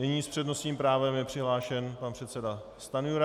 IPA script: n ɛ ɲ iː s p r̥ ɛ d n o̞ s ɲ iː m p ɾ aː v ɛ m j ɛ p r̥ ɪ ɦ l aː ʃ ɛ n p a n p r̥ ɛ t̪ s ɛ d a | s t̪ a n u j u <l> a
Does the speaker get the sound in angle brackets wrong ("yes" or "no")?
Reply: yes